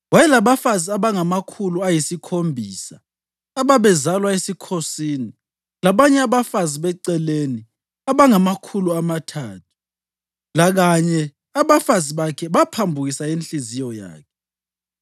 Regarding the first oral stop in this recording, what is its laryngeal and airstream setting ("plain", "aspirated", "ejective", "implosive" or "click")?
aspirated